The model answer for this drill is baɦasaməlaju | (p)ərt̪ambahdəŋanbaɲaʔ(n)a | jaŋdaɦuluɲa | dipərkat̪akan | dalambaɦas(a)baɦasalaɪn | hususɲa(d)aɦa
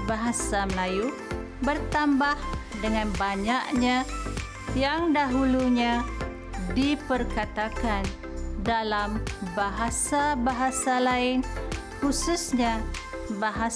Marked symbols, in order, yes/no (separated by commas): no, no, yes, no